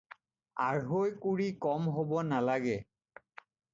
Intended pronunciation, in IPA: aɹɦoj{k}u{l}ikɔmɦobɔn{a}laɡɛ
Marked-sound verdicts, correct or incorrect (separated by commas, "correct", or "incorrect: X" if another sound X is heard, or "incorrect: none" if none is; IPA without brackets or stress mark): correct, incorrect: ɹ, correct